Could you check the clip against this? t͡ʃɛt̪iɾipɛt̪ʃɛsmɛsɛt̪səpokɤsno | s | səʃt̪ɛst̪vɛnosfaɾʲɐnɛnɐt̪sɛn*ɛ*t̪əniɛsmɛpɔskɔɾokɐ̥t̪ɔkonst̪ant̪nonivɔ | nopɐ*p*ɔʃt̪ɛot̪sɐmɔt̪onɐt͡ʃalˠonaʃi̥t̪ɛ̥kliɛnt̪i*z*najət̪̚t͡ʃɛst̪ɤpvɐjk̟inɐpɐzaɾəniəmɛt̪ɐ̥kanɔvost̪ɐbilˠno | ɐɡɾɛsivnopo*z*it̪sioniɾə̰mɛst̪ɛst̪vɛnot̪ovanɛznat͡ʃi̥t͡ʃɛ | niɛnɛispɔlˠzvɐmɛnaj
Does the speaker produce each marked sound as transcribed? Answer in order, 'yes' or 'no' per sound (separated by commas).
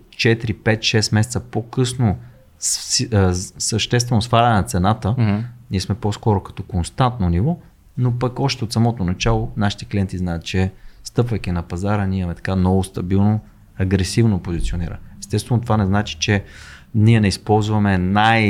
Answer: no, no, yes, yes